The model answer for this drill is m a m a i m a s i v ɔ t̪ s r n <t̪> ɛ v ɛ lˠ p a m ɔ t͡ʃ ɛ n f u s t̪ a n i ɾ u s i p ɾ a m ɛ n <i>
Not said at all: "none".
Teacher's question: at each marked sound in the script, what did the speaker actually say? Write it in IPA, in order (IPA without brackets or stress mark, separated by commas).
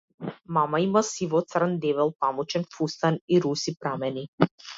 d̪, i